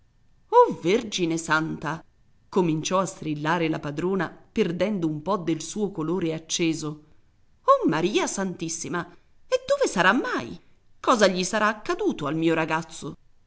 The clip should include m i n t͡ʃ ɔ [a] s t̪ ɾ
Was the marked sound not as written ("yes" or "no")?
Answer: no